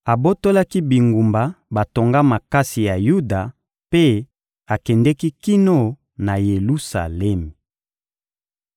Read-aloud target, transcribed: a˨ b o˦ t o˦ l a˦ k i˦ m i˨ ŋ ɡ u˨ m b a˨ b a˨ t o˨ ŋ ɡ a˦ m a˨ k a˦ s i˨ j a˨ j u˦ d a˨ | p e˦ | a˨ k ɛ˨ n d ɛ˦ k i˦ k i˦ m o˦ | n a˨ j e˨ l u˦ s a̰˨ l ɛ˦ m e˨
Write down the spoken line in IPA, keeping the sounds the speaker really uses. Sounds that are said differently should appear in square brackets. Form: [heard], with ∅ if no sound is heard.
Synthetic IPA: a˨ b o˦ t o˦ l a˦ k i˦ [b] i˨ ŋ ɡ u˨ m b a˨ b a˨ t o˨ ŋ ɡ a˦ m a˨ k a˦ s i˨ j a˨ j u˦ d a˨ | p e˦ | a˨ k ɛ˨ n d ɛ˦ k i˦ k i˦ [n] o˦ | n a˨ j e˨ l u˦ s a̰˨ l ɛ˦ m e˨